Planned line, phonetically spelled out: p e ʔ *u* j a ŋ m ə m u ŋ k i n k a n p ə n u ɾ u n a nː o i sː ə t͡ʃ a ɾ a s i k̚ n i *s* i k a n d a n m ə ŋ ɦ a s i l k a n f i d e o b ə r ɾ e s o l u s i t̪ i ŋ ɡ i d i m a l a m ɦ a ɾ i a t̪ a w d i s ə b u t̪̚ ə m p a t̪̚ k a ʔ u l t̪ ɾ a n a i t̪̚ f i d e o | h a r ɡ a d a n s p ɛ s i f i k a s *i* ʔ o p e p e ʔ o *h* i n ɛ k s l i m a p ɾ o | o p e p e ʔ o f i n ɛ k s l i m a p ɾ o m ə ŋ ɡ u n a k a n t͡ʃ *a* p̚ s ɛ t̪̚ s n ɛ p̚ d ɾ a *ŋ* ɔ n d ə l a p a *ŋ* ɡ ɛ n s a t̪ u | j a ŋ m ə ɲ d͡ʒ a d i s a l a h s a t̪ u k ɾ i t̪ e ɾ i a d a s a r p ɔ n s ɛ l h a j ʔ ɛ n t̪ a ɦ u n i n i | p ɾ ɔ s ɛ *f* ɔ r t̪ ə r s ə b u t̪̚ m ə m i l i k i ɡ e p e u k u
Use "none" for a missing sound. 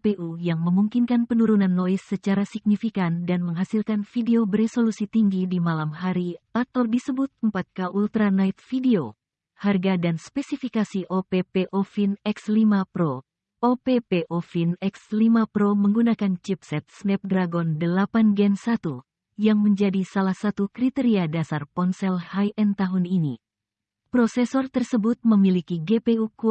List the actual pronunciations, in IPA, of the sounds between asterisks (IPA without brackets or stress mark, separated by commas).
u, f, i, f, i, ɡ, n, s